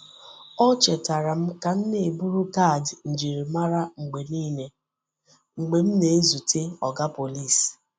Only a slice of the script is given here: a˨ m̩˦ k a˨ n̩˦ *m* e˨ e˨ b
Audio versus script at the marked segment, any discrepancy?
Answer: yes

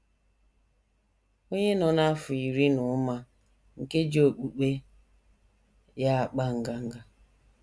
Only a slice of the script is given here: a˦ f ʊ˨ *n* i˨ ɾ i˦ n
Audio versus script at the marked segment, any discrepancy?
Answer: yes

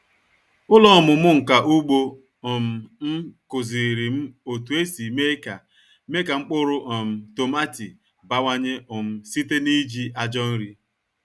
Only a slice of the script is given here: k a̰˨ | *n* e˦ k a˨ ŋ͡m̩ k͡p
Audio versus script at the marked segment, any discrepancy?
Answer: yes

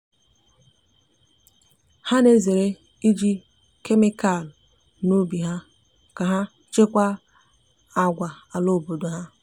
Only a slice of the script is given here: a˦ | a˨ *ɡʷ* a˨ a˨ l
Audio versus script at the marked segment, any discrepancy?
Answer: no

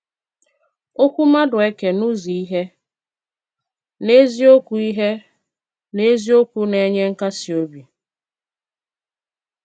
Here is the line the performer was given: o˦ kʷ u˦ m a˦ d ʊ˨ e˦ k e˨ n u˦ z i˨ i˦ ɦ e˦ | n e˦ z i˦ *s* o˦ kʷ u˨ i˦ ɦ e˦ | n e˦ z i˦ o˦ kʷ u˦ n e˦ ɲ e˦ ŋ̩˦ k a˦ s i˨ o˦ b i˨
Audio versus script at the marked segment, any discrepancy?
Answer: yes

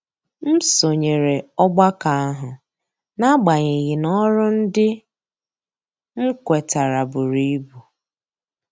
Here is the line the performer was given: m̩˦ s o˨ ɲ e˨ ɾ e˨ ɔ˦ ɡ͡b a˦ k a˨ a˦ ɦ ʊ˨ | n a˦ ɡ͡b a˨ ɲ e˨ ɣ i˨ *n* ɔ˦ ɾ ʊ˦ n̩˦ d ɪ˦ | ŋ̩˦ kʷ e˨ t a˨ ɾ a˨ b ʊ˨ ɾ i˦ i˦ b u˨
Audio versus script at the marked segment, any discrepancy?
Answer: no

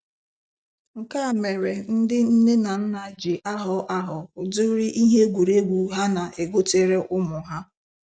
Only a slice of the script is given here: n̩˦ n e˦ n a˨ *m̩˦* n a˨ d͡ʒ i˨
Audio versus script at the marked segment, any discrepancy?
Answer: yes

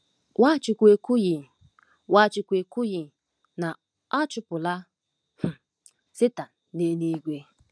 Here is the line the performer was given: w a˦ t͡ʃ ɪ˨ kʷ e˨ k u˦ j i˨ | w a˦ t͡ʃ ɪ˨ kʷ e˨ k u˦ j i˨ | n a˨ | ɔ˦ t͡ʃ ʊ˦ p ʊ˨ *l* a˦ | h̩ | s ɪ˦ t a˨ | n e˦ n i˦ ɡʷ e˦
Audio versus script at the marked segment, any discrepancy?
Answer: no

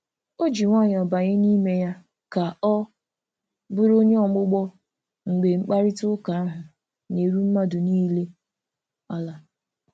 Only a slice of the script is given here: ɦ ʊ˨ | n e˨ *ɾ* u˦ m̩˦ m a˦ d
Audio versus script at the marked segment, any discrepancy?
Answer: no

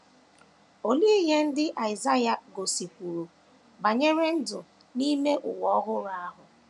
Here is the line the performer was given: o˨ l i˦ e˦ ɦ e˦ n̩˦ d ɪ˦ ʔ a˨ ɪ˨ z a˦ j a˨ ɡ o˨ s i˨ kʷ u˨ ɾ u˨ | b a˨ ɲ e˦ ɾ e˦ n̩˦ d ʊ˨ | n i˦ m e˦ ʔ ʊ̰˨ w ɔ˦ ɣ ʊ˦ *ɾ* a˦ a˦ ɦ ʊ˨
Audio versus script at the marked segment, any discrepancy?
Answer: no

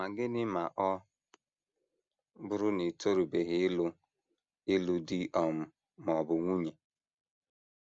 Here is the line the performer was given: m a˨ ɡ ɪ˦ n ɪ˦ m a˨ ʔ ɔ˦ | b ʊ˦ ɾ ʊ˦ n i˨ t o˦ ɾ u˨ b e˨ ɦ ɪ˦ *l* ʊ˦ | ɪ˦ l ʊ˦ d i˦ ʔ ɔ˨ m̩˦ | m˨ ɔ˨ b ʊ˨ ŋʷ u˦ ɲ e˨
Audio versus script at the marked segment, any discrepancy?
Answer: no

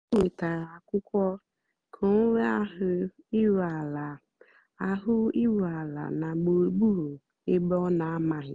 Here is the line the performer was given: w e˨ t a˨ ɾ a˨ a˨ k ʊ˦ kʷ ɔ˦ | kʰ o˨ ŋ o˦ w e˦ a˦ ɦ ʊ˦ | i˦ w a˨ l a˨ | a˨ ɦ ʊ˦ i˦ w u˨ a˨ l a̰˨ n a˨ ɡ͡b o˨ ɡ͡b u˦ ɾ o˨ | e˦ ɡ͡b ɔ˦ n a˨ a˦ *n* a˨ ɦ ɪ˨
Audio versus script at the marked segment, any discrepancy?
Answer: yes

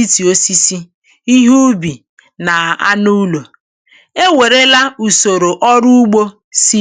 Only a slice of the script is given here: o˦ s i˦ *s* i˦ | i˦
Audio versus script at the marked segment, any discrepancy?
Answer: no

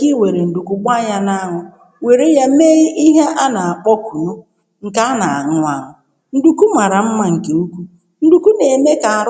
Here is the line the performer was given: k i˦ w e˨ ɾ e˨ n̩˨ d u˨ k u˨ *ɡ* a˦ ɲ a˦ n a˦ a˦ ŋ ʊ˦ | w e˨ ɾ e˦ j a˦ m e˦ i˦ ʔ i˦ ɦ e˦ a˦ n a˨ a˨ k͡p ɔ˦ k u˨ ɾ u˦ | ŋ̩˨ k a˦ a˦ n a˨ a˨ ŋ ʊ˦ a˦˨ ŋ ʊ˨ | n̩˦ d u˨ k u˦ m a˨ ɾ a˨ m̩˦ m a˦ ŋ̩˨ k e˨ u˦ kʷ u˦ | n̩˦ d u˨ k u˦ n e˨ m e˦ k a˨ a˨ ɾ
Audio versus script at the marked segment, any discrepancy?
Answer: yes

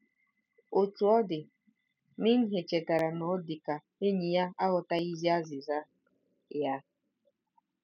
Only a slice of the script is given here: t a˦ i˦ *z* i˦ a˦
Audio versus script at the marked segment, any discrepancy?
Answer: no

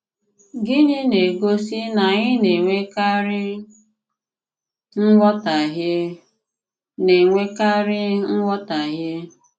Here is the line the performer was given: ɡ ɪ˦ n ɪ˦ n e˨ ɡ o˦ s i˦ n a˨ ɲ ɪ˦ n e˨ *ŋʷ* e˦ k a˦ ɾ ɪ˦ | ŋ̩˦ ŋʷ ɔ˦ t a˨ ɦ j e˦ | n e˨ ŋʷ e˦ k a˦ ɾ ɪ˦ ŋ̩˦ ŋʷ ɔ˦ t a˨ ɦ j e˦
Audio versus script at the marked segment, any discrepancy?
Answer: no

